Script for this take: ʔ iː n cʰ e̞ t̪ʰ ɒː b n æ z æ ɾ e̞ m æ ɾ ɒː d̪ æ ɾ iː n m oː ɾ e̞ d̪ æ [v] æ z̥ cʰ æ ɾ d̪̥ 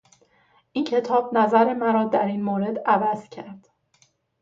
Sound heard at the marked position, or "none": v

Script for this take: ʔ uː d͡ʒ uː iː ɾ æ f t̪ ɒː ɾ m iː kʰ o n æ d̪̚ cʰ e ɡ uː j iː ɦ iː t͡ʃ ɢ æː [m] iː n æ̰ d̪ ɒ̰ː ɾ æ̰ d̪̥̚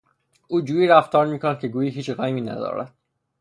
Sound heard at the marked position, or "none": m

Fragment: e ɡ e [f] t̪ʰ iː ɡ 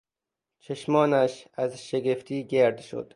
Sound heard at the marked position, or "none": f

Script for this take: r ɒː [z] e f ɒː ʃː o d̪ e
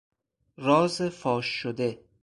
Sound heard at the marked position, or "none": z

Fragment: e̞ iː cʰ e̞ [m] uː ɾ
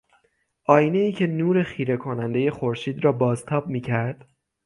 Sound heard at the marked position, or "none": n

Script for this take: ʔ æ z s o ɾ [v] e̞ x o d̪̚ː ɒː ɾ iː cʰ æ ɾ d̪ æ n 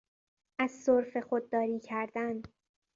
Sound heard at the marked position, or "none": f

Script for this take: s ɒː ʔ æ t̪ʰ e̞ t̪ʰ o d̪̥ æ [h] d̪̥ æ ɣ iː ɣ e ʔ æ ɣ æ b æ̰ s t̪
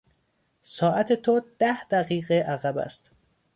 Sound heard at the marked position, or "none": h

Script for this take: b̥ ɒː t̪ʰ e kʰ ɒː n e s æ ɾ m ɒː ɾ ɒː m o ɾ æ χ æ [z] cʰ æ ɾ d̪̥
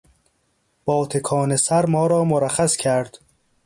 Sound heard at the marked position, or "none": s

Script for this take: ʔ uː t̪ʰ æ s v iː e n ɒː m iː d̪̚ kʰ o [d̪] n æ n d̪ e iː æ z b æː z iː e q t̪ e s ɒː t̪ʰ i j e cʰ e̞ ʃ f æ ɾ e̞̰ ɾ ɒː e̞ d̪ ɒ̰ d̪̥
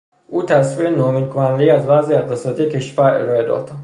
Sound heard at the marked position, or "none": none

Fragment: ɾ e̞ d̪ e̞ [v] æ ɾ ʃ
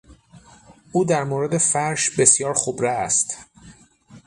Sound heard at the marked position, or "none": f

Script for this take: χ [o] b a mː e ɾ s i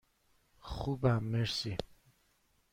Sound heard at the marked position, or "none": u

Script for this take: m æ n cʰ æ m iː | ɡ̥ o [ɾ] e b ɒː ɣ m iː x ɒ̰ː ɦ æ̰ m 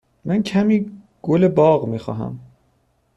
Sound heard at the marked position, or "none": l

